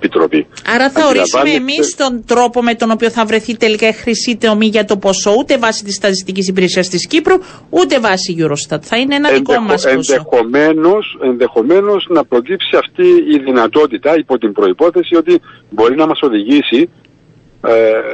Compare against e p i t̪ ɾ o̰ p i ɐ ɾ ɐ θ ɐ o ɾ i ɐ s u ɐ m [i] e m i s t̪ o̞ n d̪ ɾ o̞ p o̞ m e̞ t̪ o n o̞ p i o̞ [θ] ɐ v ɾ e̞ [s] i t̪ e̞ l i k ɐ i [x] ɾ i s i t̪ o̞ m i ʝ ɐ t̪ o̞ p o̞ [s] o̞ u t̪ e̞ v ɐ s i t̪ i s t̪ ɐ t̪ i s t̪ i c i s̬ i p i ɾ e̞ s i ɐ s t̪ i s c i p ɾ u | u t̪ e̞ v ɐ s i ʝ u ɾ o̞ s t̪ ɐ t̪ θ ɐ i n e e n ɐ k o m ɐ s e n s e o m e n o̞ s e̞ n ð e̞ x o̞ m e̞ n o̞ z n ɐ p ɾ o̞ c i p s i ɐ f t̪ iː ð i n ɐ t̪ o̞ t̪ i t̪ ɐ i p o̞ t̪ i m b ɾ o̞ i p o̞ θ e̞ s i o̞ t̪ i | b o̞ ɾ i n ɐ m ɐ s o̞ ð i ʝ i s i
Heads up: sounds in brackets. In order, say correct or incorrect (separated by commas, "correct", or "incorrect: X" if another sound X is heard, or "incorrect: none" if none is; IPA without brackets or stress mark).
incorrect: e, correct, incorrect: θ, correct, correct